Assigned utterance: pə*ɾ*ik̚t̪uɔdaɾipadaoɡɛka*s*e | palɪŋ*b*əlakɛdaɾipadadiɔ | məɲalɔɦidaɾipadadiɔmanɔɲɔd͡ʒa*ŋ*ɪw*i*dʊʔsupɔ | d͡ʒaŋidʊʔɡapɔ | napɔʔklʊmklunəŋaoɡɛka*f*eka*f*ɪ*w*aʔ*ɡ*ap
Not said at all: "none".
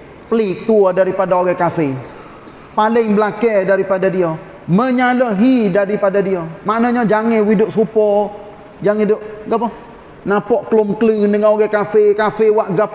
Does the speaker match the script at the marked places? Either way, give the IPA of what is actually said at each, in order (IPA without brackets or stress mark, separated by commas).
l, f, b, ŋ, i, f, f, w, ɡ